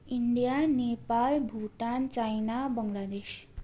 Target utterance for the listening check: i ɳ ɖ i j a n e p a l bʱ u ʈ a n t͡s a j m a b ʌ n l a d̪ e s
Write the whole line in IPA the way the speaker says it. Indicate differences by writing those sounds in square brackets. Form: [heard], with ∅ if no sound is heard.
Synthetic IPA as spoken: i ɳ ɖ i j a n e p a l bʱ u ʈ a n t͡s a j [n] a b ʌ [ŋ] l a d̪ e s